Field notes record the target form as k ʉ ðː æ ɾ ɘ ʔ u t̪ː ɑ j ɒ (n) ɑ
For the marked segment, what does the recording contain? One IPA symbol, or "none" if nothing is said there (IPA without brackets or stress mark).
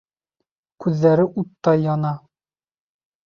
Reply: n